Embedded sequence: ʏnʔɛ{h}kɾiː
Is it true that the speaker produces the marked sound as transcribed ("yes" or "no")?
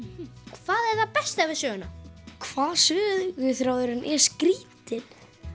no